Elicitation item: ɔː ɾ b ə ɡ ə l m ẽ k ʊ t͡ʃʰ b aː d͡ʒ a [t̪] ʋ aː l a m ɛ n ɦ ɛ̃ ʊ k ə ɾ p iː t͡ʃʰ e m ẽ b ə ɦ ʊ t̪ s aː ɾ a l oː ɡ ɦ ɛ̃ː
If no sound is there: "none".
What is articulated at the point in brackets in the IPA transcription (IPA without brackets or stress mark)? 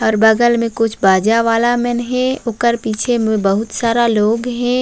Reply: none